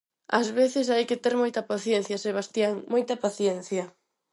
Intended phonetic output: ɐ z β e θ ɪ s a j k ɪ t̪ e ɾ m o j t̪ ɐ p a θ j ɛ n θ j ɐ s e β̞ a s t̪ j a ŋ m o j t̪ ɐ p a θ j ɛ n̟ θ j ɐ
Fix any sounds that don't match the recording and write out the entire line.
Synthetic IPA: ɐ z β e θ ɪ s a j k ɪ t̪ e ɾ m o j t̪ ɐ p a θ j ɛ n θ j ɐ s e β̞ a s t̪ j a ŋ m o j t̪ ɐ p a θ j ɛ n̟ θ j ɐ